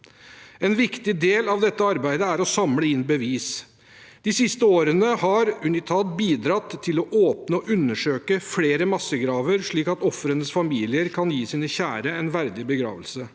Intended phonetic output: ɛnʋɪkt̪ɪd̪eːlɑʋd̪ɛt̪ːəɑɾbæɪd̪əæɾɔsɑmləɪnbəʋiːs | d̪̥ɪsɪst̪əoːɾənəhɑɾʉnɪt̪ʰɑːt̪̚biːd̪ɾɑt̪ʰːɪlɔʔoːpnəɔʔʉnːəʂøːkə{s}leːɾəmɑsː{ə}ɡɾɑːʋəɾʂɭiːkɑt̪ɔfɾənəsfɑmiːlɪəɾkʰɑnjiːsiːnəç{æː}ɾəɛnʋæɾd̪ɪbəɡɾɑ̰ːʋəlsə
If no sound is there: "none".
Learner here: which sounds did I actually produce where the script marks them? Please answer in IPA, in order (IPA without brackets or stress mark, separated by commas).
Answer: f, ə, æː